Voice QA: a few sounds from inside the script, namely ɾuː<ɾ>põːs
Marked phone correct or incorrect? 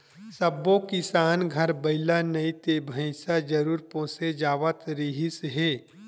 correct